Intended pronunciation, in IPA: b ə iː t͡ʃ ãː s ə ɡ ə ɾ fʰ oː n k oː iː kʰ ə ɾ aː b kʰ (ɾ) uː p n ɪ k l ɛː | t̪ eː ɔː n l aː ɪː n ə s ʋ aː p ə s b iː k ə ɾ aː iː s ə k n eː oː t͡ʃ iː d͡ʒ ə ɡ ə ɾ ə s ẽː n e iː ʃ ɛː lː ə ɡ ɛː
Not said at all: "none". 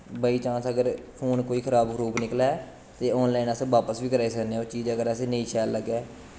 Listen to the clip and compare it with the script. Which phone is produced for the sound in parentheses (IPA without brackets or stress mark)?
ɾ